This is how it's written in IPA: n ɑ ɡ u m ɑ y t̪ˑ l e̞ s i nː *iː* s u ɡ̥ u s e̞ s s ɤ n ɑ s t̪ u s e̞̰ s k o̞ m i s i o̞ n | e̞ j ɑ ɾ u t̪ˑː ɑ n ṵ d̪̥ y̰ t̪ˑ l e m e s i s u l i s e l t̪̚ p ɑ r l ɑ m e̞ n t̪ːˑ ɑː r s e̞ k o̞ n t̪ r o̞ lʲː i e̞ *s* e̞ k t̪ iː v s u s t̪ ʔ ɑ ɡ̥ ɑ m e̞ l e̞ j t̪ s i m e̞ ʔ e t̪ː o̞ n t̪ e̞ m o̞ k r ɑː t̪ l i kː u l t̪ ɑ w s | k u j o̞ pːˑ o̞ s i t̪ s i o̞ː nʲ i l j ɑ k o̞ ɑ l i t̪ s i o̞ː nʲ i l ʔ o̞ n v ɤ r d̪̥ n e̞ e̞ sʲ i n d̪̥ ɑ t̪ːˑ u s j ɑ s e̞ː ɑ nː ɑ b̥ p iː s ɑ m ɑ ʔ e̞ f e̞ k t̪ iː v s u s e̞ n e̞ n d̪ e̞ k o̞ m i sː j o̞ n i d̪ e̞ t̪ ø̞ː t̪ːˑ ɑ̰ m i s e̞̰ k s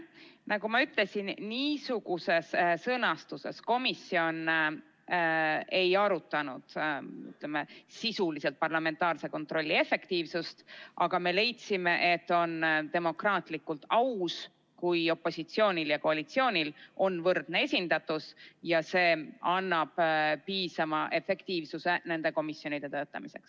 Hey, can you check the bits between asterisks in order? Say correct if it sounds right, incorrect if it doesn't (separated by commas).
correct, incorrect